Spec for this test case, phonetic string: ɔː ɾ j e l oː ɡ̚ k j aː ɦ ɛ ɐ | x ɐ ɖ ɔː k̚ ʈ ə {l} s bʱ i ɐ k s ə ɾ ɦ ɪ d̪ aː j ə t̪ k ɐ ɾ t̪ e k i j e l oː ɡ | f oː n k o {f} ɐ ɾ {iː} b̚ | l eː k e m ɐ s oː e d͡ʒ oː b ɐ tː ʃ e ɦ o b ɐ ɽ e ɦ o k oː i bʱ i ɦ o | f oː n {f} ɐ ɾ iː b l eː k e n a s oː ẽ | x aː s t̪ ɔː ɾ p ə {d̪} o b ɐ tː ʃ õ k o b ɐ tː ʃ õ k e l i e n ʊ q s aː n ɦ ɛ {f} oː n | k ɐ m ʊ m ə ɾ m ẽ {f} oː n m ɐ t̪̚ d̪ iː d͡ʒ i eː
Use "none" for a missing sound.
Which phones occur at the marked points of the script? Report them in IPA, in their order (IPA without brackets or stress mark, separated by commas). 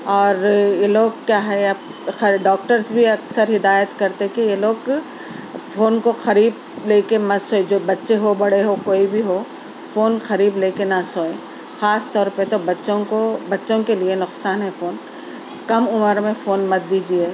ɾ, x, iː, x, t̪, f, f